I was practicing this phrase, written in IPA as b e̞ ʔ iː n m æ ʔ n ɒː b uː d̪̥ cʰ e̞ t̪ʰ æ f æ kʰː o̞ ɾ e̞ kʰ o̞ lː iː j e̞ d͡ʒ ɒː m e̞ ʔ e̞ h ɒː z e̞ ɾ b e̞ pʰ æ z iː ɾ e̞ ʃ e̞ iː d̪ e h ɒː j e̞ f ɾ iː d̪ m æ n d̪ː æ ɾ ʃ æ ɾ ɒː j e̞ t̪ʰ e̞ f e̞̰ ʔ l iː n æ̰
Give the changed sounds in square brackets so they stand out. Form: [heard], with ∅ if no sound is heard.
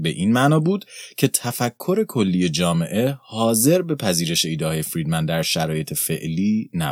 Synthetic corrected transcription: b e̞ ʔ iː n m æ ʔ n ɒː b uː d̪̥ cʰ e̞ t̪ʰ æ f æ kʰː o̞ ɾ e̞ kʰ o̞ lː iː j e̞ d͡ʒ ɒː m e̞ ʔ e̞ h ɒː z e̞ ɾ b e̞ pʰ æ z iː ɾ e̞ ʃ e̞ iː d̪ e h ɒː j e̞ f ɾ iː d̪ m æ n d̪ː æ ɾ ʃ æ ɾ ɒː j e̞ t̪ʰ e̞ f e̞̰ ʔ l iː n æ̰